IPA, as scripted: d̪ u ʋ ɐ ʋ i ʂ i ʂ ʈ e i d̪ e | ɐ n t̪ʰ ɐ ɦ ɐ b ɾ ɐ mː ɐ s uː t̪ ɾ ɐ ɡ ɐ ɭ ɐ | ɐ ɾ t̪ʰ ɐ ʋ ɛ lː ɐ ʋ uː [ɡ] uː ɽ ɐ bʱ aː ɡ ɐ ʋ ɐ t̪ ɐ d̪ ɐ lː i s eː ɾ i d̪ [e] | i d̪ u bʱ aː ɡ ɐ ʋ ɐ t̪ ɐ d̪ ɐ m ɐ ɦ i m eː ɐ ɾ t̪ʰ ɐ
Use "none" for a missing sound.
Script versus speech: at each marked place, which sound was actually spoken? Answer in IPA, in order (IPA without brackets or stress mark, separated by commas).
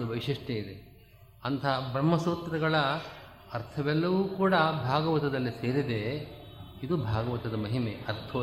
k, e